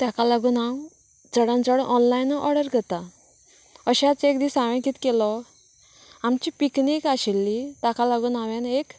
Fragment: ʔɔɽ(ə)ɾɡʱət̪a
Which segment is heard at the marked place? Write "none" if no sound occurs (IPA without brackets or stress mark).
ə